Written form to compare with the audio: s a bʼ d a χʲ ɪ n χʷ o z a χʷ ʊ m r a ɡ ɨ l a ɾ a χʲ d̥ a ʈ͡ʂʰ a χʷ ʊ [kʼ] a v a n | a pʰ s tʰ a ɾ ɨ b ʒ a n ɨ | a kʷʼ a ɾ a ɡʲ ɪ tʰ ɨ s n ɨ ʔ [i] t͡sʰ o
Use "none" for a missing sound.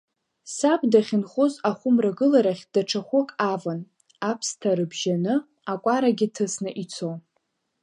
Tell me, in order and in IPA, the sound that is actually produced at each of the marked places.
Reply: kʼ, i

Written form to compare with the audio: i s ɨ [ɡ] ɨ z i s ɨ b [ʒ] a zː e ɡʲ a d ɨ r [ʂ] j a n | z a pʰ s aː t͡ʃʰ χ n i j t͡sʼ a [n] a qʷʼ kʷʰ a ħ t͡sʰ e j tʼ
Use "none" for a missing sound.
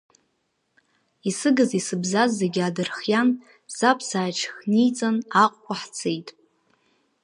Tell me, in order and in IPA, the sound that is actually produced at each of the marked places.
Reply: ɡ, z, χ, n

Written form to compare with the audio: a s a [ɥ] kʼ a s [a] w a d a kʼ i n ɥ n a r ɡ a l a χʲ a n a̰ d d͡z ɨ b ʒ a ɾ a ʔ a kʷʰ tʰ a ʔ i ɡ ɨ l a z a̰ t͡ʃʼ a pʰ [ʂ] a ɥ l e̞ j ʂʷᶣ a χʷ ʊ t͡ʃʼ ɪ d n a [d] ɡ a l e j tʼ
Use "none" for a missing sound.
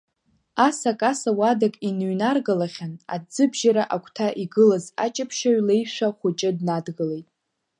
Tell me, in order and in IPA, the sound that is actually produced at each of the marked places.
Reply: none, a, ʃ, d

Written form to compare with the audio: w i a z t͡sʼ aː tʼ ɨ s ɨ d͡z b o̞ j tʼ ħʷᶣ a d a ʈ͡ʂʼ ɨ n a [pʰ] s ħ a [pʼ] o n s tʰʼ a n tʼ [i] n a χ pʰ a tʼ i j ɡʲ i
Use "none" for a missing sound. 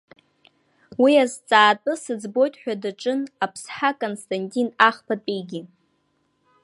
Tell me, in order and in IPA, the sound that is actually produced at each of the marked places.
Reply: pʰ, kʼ, i

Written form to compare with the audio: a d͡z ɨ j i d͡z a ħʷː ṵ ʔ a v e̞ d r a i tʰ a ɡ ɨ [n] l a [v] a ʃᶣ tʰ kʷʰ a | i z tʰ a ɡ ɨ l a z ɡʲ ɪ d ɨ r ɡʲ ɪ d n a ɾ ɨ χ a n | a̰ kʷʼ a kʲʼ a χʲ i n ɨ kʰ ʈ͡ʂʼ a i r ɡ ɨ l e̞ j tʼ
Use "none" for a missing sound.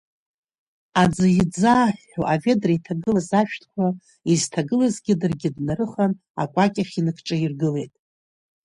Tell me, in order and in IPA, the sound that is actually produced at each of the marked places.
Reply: none, z

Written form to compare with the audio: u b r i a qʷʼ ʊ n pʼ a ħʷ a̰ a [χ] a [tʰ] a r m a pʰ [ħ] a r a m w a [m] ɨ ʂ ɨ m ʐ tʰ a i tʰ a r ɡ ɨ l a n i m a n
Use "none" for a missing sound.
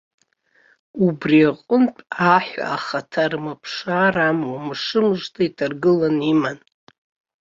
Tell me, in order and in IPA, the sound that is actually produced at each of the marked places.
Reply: χ, tʰ, ʂ, m

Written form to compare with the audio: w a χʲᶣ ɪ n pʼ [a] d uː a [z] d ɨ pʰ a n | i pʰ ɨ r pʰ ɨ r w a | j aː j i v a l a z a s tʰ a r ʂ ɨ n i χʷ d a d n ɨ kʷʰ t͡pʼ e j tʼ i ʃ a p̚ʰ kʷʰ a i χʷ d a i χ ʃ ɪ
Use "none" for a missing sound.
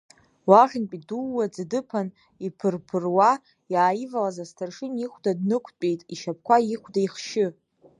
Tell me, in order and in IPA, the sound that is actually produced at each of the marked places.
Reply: i, d͡z

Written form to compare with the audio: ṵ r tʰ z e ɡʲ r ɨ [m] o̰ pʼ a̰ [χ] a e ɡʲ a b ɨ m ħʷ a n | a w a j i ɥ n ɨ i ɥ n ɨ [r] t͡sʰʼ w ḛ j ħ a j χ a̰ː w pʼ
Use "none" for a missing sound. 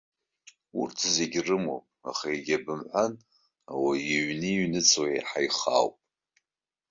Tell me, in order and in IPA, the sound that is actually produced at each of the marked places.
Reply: m, χ, none

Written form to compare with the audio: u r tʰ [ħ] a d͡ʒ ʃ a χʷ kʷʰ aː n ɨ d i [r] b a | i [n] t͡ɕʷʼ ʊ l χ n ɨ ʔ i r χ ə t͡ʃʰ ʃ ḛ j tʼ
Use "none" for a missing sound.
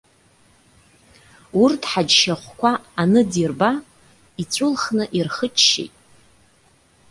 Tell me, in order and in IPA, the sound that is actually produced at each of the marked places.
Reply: ħ, r, none

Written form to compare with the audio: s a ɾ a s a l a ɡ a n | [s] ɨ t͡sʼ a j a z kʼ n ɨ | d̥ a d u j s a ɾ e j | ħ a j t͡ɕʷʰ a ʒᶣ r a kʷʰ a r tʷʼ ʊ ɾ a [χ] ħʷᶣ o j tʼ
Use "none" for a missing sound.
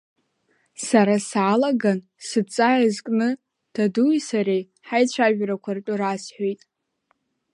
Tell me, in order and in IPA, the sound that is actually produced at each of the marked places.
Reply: s, s

